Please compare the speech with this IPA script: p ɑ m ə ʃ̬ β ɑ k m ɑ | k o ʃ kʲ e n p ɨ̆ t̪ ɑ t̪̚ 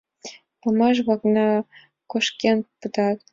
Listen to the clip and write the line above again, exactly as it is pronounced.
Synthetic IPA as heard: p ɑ m ɑ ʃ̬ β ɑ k n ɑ | k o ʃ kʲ e n p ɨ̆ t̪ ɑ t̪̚